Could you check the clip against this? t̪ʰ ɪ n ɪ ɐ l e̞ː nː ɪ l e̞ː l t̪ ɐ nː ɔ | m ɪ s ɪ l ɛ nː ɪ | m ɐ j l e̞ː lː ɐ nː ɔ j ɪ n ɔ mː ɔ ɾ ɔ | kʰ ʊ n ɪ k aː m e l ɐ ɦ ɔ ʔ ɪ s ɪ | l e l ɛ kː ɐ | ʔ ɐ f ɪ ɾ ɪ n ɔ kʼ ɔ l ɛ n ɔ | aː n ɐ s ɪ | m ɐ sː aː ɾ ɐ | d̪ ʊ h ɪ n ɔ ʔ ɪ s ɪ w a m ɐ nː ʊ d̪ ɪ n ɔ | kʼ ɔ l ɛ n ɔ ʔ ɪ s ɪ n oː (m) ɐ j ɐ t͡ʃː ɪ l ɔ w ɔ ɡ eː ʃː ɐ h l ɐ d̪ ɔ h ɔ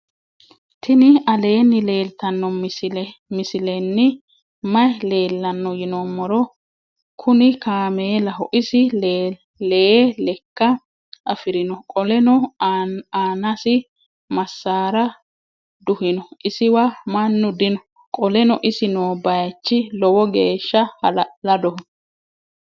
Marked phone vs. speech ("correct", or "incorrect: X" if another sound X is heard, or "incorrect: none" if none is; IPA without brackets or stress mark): incorrect: b